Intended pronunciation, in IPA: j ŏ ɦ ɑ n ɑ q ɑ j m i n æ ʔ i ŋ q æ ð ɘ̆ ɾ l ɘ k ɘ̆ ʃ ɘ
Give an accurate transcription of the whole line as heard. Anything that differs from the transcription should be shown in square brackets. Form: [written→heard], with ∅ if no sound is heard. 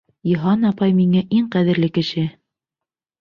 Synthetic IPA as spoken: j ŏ ɦ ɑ n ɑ [q→p] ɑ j m i [n→ŋ] æ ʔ i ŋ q æ ð ɘ̆ ɾ l ɘ k ɘ̆ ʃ ɘ